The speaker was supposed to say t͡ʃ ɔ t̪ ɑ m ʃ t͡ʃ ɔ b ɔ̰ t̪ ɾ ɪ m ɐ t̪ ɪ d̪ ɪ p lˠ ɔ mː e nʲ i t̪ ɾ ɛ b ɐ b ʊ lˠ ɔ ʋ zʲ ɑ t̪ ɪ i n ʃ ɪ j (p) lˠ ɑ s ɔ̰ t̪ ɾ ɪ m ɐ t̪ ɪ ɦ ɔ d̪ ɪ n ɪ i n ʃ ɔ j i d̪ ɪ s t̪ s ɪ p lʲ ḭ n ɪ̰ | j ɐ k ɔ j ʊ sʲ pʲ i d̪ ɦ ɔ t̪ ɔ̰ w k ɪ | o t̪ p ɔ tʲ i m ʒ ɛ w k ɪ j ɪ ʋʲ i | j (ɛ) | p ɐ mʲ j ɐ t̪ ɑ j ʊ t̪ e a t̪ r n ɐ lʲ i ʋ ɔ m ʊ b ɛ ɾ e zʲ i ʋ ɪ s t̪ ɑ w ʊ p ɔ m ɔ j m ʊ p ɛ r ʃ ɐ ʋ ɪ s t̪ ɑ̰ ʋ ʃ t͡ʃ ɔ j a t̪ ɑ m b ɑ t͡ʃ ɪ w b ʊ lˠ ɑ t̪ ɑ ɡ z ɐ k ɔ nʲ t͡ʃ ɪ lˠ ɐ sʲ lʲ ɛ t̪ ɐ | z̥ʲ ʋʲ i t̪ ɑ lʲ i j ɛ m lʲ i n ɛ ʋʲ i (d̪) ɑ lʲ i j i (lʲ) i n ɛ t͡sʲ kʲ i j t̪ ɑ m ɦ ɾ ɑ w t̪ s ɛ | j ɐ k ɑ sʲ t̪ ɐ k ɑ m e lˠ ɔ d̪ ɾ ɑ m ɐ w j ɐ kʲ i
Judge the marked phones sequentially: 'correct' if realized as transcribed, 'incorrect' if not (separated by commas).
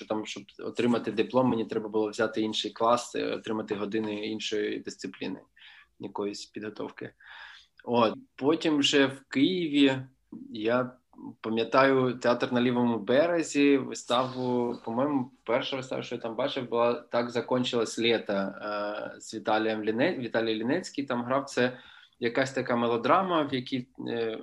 incorrect, incorrect, incorrect, correct